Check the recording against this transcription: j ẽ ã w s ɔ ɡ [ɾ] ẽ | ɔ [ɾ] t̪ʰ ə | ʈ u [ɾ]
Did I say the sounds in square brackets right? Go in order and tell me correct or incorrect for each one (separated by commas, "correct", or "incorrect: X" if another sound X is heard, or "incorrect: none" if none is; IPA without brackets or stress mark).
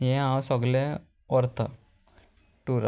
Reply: incorrect: l, correct, correct